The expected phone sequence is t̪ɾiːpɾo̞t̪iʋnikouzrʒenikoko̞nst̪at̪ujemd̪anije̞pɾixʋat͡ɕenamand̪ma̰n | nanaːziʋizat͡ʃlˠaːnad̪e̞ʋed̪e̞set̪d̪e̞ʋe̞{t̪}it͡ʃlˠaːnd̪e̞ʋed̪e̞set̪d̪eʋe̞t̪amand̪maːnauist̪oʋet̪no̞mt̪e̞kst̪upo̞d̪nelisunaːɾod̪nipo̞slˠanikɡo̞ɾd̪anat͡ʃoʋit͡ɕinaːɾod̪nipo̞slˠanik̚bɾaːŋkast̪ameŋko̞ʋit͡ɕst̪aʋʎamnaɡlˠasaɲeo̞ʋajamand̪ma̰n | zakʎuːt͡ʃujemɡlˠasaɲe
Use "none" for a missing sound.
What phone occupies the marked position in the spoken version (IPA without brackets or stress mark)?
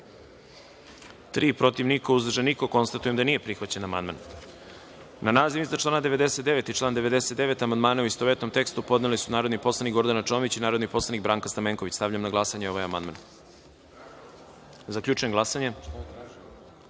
t̪